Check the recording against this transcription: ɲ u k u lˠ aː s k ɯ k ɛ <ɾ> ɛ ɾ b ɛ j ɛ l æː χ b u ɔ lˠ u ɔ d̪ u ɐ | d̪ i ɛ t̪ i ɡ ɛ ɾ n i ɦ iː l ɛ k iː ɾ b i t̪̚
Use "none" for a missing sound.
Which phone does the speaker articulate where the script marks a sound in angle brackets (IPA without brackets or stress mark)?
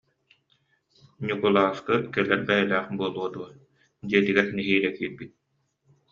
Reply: l